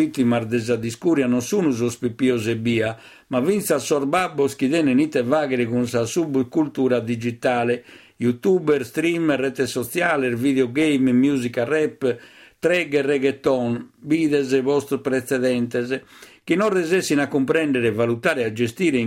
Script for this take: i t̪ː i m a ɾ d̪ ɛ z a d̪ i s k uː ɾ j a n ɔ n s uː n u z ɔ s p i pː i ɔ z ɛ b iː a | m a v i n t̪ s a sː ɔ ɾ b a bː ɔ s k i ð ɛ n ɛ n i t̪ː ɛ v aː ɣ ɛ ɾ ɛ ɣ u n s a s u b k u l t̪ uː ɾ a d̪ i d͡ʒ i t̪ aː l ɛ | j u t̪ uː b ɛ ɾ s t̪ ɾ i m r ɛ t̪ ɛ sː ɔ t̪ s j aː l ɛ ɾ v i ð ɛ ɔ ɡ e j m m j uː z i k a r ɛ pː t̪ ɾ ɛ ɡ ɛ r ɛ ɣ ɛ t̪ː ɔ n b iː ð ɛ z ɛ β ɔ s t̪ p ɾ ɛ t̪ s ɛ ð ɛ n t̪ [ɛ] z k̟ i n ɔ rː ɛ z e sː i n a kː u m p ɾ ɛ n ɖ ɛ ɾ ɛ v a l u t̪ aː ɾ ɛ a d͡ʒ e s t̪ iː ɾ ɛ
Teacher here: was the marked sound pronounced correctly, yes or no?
yes